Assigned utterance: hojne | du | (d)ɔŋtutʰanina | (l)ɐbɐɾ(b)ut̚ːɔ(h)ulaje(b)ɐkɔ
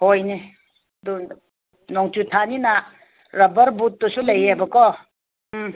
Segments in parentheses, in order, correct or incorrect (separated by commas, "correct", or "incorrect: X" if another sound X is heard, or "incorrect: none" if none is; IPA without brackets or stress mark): incorrect: n, incorrect: ɾ, correct, incorrect: s, correct